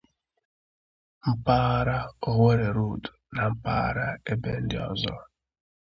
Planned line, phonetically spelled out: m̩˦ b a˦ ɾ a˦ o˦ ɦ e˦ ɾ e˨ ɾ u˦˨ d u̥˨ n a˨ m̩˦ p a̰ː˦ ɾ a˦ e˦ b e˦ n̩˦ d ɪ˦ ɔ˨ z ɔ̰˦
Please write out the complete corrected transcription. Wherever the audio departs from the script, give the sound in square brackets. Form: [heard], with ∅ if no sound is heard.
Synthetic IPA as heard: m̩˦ [p] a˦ ɾ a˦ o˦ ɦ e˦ ɾ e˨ ɾ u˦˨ d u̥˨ n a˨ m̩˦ p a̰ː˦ ɾ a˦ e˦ b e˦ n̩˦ d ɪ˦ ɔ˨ z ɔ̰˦